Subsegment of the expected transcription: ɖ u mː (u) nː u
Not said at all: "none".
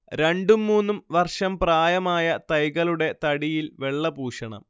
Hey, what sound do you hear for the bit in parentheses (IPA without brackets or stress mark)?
uː